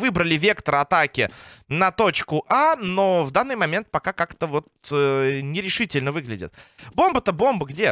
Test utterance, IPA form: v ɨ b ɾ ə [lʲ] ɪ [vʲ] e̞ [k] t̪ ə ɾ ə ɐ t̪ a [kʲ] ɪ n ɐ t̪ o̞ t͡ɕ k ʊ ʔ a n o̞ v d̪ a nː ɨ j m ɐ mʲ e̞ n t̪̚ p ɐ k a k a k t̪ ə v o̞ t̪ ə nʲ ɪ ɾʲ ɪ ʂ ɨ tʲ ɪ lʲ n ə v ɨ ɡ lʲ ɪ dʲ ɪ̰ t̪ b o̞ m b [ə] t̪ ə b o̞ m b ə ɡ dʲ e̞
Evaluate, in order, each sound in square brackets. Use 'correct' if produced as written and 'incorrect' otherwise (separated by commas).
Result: correct, correct, correct, correct, correct